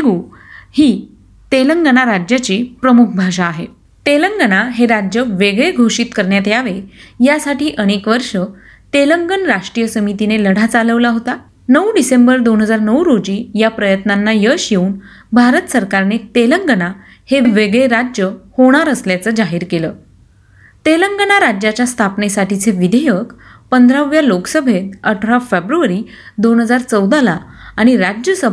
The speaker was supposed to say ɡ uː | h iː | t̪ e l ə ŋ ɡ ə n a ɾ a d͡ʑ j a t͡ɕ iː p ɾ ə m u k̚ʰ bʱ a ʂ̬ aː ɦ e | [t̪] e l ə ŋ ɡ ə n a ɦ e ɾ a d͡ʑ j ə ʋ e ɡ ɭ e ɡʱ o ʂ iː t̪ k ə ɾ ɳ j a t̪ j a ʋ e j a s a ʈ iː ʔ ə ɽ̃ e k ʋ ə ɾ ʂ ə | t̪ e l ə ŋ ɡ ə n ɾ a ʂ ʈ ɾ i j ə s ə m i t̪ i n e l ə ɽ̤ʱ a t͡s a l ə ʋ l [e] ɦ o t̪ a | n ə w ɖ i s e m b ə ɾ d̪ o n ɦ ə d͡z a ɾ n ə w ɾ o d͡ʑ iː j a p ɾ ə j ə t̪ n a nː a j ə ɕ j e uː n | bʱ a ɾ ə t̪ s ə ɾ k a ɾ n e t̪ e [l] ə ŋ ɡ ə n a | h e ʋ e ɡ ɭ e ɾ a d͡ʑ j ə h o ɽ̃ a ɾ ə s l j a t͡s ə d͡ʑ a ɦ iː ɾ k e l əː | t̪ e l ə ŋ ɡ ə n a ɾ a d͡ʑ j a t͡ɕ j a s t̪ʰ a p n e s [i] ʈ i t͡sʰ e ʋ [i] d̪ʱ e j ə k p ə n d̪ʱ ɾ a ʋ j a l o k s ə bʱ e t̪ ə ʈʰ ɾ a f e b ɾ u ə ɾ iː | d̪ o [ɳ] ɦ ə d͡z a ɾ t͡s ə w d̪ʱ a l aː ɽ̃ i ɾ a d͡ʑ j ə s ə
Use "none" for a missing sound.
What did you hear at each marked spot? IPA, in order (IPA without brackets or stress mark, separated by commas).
t̪, a, l, a, i, n